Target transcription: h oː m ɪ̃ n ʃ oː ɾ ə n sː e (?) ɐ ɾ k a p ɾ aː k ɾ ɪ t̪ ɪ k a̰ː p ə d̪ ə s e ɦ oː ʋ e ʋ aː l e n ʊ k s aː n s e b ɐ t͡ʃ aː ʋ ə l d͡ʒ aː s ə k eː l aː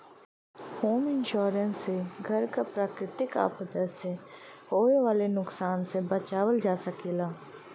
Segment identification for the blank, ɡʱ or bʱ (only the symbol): ɡʱ